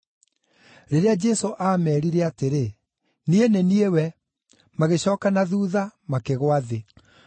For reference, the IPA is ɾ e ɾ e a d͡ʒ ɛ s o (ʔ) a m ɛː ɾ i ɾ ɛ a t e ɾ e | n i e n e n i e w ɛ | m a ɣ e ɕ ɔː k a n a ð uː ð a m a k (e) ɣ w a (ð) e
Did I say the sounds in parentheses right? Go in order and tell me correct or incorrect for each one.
correct, correct, correct

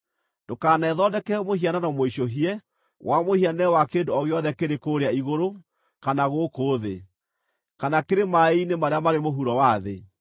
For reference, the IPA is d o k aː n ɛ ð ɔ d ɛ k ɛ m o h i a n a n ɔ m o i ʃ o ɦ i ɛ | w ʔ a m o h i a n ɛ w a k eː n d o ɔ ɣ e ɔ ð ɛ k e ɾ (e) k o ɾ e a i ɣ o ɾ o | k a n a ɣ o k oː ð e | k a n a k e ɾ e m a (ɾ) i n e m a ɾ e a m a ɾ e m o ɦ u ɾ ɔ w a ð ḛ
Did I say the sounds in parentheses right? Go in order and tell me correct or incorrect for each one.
correct, incorrect

